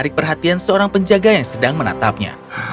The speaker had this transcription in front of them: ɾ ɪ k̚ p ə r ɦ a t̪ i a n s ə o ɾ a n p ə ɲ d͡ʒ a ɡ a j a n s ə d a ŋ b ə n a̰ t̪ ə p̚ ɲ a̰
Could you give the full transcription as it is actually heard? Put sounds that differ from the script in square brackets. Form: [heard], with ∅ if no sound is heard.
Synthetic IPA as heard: ɾ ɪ k̚ p ə r ɦ a t̪ i a n s ə o ɾ a [ŋ] p ə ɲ d͡ʒ a ɡ a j a [ŋ] s ə d a ŋ [m] ə n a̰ t̪ [a] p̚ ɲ a̰

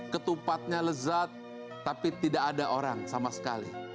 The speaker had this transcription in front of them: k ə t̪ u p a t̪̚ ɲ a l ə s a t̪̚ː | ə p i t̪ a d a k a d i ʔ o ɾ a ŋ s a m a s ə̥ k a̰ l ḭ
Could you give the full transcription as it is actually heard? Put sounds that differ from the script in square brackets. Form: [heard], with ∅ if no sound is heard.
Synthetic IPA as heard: k ə t̪ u p a t̪̚ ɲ a l ə [z] a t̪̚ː | [a] p i t̪ [i] d a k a d [a] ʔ o ɾ a ŋ s a m a s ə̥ k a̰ l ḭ

